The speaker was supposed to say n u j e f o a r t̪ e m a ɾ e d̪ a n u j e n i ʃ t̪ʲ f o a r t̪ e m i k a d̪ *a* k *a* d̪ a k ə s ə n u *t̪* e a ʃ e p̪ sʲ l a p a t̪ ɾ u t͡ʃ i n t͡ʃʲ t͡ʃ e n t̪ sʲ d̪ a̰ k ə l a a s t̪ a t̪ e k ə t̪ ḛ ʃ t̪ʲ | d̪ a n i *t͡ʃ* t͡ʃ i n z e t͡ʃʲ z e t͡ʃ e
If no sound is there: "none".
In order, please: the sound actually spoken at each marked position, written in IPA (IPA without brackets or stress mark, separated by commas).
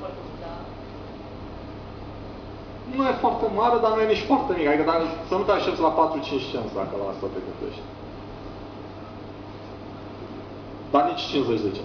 i, ə, t̪, t͡ʃ